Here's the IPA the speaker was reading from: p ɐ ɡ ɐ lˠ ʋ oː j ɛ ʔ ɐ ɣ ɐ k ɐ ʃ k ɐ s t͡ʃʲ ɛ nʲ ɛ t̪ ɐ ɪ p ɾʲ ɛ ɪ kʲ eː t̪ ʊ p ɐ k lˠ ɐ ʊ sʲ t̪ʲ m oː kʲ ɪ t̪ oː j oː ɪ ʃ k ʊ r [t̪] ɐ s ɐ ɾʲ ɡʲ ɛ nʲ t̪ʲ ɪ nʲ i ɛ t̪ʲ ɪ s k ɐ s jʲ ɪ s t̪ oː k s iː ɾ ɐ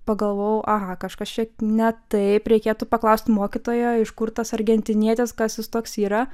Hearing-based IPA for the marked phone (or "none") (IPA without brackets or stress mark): t̪